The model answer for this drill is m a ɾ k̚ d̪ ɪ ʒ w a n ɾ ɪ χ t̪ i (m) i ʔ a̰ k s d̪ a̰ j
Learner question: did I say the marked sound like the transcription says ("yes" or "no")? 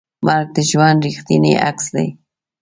no